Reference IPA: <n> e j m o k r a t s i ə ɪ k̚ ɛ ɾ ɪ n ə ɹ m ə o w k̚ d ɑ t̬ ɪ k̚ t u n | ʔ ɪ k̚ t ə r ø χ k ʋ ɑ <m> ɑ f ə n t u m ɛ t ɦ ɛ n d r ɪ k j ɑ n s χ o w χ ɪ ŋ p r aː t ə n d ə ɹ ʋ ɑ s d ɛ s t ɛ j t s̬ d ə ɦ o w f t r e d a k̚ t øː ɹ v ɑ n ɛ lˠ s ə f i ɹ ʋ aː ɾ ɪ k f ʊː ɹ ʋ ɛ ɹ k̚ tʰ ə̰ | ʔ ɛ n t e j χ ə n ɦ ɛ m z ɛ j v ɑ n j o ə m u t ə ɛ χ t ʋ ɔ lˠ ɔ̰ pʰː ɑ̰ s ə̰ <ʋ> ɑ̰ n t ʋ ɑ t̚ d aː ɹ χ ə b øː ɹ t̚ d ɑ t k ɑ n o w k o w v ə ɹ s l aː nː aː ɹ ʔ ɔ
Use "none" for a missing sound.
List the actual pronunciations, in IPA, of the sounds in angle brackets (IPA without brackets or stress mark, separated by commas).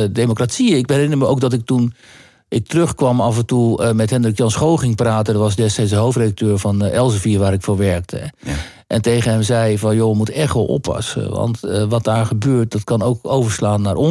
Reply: d, m, ʋ